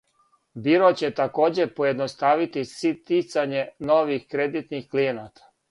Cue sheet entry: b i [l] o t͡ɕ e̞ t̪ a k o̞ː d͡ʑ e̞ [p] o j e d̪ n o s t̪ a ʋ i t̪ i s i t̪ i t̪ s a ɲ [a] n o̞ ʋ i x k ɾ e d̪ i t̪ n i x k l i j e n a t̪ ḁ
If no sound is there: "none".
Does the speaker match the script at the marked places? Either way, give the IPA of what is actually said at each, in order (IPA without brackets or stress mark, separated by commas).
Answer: ɾ, p, e